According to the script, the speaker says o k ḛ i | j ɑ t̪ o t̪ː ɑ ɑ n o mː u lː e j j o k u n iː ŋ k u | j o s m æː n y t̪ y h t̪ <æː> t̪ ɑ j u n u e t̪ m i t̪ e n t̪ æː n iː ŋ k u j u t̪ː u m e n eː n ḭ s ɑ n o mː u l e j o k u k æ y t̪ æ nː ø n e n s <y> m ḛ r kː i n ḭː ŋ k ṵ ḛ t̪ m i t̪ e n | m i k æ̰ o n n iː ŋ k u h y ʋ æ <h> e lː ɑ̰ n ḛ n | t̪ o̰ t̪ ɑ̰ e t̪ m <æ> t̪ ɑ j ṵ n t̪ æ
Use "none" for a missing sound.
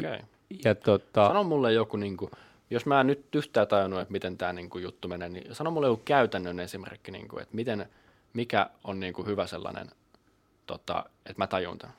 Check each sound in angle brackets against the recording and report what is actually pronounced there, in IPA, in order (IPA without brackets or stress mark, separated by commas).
æː, i, s, æ